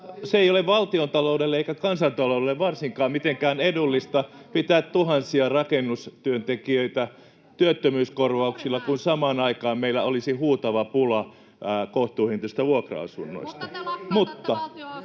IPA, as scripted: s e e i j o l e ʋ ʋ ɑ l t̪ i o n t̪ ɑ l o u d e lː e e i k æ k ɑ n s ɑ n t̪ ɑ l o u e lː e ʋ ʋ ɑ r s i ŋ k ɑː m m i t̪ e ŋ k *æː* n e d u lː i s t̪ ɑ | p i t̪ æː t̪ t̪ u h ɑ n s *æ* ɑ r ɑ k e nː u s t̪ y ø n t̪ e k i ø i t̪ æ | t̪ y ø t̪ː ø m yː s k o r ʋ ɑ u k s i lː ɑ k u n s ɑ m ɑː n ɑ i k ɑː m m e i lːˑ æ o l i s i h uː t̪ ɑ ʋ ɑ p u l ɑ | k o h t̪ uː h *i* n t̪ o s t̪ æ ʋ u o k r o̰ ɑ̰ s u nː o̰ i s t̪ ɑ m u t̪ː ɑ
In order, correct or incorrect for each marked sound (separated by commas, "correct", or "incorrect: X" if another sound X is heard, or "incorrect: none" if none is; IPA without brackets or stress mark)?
correct, incorrect: i, correct